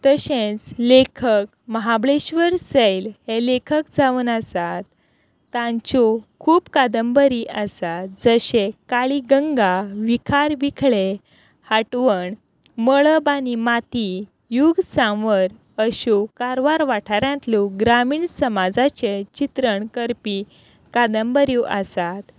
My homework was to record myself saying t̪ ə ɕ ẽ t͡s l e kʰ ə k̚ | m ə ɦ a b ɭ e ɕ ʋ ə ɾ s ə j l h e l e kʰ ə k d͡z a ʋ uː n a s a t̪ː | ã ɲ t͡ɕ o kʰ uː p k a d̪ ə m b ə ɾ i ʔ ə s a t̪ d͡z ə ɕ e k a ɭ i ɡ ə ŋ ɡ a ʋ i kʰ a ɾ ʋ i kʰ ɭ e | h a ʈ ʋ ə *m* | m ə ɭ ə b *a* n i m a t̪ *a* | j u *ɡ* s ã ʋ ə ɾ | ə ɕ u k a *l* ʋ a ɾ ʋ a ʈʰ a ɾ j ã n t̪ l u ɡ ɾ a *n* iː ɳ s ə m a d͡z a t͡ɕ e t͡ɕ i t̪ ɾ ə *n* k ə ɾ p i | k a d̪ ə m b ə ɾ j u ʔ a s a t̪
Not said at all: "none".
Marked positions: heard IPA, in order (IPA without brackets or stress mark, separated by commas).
ɳ, a, i, ɡ, ɾ, m, ɳ